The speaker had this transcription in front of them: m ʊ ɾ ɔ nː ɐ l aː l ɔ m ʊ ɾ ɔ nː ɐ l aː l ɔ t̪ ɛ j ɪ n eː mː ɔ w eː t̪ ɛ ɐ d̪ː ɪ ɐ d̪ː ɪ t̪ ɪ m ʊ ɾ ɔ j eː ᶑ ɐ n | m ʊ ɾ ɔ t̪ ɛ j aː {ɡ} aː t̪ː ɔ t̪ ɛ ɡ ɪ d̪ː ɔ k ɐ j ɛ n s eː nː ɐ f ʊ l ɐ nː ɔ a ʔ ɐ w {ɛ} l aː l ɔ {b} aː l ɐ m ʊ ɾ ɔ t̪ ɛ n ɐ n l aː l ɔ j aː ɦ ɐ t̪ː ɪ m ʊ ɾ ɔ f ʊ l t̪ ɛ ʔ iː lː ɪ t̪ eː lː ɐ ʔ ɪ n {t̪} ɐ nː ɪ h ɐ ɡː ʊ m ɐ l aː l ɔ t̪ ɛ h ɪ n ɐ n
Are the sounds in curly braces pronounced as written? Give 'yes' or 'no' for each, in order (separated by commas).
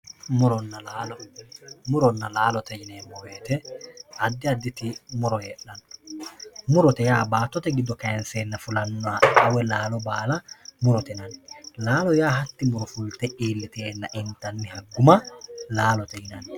no, yes, yes, yes